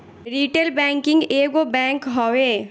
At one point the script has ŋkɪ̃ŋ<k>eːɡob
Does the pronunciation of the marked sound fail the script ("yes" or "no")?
yes